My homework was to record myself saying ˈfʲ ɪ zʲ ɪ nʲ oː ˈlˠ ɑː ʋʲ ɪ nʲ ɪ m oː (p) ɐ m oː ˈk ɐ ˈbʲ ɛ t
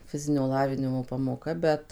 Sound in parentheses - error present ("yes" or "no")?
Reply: no